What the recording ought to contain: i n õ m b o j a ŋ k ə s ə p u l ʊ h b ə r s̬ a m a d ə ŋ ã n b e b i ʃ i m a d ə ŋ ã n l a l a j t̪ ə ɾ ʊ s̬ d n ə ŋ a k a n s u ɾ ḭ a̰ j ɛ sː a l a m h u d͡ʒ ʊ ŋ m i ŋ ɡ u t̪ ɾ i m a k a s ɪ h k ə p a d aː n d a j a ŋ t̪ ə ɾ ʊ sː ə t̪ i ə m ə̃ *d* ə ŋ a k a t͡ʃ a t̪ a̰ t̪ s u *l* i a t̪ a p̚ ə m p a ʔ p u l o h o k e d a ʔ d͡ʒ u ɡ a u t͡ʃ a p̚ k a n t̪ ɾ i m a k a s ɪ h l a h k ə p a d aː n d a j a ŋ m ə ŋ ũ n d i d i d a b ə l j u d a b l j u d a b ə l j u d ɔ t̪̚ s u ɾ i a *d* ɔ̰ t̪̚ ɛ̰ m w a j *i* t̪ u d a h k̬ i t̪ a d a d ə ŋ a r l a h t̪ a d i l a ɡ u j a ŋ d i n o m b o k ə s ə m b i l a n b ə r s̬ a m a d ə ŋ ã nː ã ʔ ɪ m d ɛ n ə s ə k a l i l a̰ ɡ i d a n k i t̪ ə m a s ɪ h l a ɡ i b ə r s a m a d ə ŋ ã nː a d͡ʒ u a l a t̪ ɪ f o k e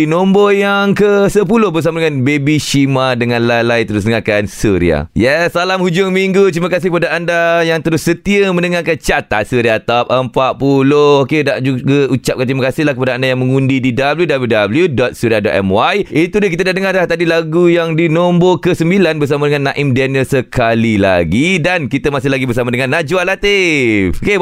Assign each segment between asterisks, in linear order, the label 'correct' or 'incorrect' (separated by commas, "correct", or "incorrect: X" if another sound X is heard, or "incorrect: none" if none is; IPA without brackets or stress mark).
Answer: incorrect: n, incorrect: ɾ, correct, correct